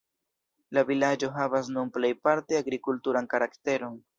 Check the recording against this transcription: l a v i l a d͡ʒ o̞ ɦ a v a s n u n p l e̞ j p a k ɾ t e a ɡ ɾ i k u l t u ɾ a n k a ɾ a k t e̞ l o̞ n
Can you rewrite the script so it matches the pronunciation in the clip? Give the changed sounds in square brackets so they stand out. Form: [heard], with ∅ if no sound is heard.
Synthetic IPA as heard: l a v i l a d͡ʒ o̞ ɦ a v a s n u n p l e̞ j p a [∅] ɾ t e a ɡ ɾ i k u l t u ɾ a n k a ɾ a k t e̞ [ɾ] o̞ n